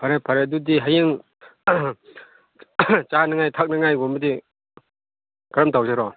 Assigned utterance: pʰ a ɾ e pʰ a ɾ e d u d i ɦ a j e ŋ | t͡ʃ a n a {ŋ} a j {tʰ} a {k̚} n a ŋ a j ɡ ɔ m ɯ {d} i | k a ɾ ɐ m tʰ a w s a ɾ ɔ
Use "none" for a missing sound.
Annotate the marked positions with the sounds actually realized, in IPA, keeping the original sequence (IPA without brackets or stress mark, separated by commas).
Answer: ŋ, tʰ, k̚, d